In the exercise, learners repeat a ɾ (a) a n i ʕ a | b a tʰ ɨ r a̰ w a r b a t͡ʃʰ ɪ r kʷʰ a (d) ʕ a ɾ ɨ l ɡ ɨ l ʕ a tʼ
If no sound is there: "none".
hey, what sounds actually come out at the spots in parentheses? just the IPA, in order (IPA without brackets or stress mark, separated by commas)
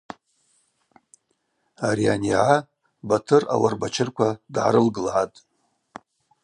i, d